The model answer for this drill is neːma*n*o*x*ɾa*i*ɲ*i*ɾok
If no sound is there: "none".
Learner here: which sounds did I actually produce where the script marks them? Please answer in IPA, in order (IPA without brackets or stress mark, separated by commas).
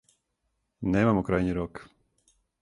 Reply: m, k, j, i